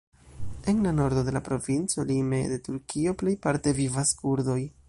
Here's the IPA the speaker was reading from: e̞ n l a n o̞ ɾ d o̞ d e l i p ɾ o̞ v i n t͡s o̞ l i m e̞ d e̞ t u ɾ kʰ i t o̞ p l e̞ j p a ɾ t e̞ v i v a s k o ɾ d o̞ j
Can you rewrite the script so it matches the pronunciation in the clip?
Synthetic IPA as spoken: e̞ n l a n o̞ ɾ d o̞ d e l a p ɾ o̞ v i n t͡s o̞ l i m e̞ d e̞ t u ɾ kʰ i o̞ p l e̞ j p a ɾ t e̞ v i v a s k u ɾ d o̞ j